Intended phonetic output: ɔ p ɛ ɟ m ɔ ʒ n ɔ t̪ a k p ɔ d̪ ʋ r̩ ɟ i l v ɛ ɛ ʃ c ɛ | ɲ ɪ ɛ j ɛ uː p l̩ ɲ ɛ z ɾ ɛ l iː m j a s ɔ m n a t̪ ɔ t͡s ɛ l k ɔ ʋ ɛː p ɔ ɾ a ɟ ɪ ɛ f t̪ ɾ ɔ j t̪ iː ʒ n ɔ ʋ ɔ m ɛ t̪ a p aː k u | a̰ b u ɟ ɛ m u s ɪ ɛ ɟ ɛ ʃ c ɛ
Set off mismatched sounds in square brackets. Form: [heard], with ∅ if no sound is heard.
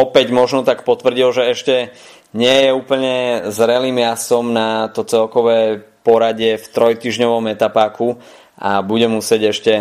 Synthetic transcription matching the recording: ɔ p ɛ ɟ m ɔ ʒ n ɔ t̪ a k p ɔ [t̪] ʋ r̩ ɟ i l [ʒ] ɛ ɛ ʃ c ɛ | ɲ ɪ ɛ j ɛ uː p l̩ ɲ ɛ z ɾ ɛ l iː m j a s ɔ m n a t̪ ɔ t͡s ɛ l k ɔ ʋ ɛː p ɔ ɾ a ɟ ɪ ɛ f t̪ ɾ ɔ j t̪ iː ʒ [ɲ] ɔ ʋ ɔ m ɛ t̪ a p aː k u | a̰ b u ɟ ɛ m u s ɪ ɛ ɟ ɛ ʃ c ɛ